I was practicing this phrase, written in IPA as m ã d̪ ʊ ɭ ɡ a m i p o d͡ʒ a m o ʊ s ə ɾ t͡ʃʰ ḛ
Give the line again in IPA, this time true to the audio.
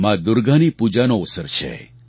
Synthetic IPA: m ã d̪ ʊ ɾ ɡ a n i p u d͡ʒ a n o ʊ s ə ɾ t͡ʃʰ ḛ